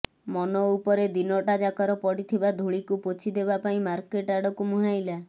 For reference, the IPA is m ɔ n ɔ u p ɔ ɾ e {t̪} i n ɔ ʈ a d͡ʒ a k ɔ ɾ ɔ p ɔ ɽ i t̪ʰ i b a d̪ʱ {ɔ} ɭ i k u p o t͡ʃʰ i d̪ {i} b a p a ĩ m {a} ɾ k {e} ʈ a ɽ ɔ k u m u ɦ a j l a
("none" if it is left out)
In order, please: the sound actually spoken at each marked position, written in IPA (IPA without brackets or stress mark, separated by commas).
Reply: d̪, u, e, a, e